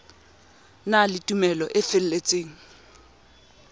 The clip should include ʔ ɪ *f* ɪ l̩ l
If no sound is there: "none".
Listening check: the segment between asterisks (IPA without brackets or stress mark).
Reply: f